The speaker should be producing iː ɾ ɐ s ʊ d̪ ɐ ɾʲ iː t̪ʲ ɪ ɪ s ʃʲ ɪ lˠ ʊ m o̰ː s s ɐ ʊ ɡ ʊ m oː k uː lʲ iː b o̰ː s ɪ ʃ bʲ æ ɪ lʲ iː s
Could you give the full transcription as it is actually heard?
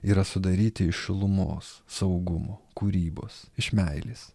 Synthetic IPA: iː ɾ ɐ s ʊ d̪ ɐ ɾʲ iː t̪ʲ ɪ ɪ ʃ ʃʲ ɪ lˠ ʊ m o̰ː s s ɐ ʊ ɡ ʊ m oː k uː ɾʲ iː b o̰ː s ɪ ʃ mʲ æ ɪ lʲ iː s